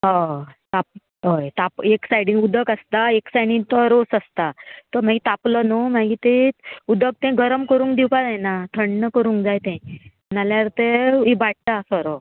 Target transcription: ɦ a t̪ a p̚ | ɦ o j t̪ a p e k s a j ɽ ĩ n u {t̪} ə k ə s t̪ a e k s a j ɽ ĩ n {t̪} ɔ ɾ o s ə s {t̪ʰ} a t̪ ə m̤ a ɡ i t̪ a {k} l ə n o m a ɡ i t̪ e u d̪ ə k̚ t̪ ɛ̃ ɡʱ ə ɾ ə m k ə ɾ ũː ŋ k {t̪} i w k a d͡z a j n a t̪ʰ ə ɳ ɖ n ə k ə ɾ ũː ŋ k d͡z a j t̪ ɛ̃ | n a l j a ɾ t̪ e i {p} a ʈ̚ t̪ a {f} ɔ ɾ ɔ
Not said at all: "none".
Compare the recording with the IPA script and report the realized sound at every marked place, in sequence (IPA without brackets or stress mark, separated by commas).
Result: d̪, t̪, t̪, p, d̪, b, s